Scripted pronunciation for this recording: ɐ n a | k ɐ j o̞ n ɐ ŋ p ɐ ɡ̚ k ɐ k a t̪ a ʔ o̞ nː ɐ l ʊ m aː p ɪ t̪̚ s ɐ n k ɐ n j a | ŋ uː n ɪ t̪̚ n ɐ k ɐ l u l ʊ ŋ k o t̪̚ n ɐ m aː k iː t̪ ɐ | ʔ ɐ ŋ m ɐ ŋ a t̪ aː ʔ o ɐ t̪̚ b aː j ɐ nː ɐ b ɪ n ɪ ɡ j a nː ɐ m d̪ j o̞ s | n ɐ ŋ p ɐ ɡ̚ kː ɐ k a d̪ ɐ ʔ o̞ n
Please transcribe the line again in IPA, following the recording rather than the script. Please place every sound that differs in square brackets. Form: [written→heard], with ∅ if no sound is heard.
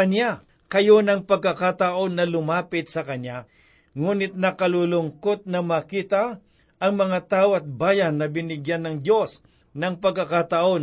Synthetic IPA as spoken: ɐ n a | k ɐ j o̞ n ɐ ŋ p ɐ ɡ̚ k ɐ k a t̪ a ʔ o̞ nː ɐ l ʊ m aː p ɪ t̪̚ s ɐ [n→∅] k ɐ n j a | ŋ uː n ɪ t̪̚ n ɐ k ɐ l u l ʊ ŋ k o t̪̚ n ɐ m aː k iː t̪ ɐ | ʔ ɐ ŋ m ɐ ŋ a t̪ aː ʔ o ɐ t̪̚ b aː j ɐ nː ɐ b ɪ n ɪ ɡ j a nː ɐ [m→ŋ] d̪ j o̞ s | n ɐ ŋ p ɐ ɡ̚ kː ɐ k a [d̪→t̪] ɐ ʔ o̞ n